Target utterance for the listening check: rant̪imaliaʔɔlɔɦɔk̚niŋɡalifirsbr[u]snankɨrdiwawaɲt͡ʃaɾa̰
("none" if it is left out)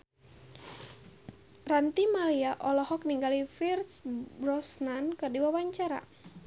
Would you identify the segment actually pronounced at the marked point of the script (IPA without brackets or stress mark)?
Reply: ɔ